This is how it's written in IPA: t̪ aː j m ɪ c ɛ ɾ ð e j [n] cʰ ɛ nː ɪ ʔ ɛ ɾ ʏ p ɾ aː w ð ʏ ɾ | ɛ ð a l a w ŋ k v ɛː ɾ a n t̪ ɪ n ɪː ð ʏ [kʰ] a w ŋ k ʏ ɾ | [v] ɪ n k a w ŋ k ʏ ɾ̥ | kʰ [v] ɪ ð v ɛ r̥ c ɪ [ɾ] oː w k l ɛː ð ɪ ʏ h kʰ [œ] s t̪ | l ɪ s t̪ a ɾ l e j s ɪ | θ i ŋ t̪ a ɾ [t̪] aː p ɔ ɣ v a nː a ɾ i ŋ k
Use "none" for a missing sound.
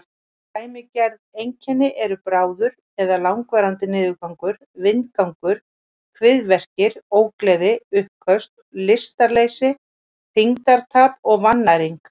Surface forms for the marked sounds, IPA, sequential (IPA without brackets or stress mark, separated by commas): ɲ, k, v, v, ɾ, œ, t̪ʰ